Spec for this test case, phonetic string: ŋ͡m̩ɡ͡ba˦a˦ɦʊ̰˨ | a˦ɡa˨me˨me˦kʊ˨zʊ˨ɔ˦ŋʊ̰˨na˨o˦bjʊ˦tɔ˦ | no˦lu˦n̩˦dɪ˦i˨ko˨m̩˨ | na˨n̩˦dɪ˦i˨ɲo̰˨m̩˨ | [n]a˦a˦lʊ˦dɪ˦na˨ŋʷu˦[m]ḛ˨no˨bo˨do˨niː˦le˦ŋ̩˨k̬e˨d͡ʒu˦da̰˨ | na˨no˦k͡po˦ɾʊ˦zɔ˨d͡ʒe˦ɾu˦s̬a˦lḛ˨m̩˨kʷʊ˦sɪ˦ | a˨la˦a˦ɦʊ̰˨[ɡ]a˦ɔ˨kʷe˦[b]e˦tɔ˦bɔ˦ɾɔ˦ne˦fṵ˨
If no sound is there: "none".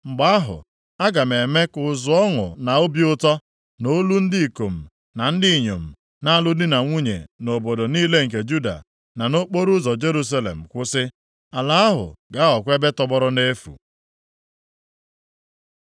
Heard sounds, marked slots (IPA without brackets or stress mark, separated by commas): n, ɲ, ɡ, b